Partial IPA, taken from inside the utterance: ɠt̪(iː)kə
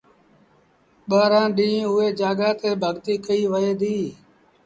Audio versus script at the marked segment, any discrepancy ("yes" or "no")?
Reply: no